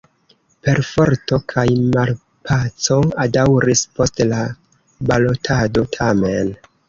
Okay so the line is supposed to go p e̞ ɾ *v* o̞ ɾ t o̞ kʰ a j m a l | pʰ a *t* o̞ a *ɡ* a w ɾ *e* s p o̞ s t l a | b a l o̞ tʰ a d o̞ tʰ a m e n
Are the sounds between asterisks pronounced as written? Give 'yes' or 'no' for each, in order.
no, no, no, no

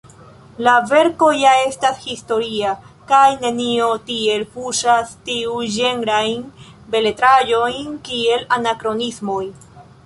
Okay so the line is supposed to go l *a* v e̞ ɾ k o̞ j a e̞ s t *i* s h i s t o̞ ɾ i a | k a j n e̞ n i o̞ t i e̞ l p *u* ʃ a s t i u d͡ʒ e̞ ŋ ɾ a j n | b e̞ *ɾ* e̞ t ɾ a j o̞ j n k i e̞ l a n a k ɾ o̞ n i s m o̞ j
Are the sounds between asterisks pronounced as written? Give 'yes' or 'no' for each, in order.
yes, no, yes, no

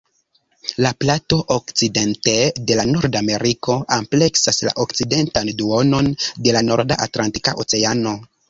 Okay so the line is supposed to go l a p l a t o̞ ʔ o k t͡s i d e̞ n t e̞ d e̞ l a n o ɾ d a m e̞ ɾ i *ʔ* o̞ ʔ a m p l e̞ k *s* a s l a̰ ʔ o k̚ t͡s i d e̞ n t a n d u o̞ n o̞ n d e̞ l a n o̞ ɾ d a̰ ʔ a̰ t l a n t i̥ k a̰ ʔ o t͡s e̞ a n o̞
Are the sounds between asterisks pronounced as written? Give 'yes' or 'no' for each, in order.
no, yes

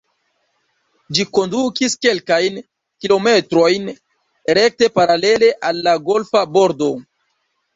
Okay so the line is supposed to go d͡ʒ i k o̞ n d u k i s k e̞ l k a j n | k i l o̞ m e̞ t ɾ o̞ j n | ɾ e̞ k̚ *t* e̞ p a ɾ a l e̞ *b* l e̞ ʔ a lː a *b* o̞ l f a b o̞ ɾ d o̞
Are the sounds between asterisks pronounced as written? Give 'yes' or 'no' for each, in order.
yes, no, no

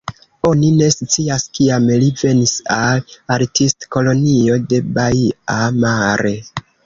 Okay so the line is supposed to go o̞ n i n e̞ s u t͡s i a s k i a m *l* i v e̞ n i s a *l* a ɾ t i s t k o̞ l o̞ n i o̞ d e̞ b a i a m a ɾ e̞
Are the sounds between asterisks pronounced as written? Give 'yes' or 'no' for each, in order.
yes, yes

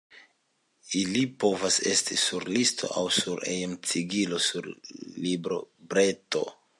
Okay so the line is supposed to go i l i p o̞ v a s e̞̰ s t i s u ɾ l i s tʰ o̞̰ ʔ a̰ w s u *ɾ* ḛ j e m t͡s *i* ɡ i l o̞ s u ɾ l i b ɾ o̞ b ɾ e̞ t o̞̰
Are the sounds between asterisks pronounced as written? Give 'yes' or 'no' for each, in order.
yes, yes

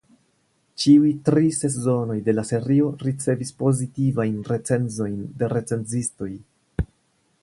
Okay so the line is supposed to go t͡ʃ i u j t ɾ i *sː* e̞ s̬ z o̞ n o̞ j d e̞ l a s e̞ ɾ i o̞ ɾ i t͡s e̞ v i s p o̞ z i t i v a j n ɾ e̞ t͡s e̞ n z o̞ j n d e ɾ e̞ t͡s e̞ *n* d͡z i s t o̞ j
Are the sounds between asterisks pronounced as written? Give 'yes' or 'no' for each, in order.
no, yes

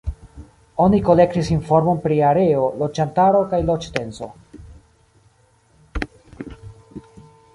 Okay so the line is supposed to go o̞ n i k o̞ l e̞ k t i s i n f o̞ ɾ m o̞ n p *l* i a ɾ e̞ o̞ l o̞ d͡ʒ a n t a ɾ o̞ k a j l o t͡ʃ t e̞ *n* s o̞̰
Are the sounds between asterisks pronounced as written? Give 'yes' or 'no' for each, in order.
no, yes

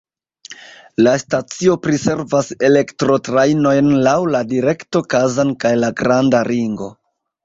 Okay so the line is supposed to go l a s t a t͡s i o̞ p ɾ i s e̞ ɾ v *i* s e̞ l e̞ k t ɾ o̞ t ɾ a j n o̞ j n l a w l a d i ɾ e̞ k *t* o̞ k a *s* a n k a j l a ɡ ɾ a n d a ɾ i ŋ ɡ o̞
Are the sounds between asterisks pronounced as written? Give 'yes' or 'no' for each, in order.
no, yes, no

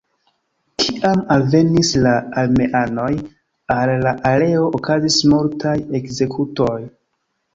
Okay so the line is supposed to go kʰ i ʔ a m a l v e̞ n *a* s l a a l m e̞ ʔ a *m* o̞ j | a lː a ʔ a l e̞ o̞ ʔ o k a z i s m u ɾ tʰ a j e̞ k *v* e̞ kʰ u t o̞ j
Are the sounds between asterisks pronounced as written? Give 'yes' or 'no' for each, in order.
no, no, no

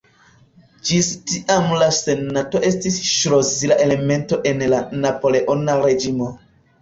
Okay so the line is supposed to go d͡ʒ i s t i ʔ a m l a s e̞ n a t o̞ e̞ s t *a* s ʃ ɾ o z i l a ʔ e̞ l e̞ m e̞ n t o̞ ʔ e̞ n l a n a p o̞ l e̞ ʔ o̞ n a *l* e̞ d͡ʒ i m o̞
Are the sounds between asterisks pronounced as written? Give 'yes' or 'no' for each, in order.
no, no

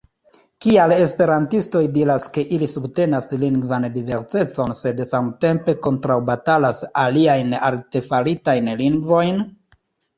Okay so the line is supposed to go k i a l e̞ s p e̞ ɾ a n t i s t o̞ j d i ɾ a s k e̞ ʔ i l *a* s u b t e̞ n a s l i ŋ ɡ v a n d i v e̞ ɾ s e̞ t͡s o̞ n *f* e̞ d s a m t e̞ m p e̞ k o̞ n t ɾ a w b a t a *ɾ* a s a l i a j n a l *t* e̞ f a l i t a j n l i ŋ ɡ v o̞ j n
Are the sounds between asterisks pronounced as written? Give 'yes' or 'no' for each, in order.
no, no, no, yes

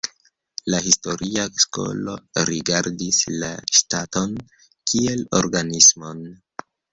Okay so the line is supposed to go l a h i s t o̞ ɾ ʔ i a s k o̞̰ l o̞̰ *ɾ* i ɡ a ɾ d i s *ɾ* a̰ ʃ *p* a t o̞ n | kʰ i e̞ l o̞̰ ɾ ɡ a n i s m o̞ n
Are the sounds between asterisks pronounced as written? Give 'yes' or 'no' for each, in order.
yes, no, no

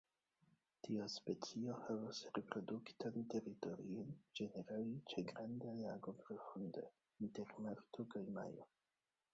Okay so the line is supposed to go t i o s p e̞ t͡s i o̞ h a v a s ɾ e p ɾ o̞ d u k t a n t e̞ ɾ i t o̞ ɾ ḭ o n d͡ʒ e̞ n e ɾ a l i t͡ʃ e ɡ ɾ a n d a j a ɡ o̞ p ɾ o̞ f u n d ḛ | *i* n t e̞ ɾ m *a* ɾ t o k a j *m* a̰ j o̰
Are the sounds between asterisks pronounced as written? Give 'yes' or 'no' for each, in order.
yes, yes, yes

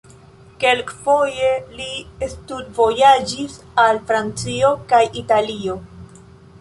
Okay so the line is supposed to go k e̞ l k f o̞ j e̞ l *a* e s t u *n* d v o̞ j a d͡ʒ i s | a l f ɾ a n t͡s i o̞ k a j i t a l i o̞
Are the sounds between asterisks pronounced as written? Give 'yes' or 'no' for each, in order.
no, no

